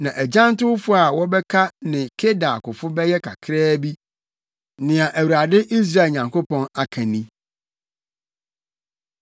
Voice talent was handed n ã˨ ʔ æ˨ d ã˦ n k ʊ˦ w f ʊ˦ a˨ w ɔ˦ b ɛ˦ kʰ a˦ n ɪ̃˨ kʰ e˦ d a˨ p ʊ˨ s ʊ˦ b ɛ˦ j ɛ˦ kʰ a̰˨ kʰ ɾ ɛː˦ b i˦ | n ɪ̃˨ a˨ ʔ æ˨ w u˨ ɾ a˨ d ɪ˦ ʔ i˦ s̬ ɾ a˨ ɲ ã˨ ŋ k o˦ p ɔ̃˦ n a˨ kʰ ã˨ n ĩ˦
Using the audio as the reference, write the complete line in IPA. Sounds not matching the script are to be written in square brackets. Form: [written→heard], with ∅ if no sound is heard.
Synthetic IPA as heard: n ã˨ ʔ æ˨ [d→d͡ʑ] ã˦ n [k→t] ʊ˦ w f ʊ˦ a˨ w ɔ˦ b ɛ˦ kʰ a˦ n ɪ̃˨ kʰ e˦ d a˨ [p→k] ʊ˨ [s→f] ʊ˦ b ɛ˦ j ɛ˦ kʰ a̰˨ kʰ ɾ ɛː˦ b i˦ | n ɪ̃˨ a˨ ʔ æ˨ w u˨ ɾ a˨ d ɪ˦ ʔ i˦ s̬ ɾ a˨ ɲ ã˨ ŋ k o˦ p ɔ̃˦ n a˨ kʰ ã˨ n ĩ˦